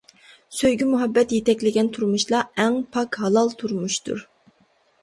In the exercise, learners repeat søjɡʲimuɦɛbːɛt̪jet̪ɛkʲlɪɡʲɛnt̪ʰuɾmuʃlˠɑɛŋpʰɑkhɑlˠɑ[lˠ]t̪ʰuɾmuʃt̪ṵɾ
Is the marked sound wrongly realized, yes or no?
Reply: no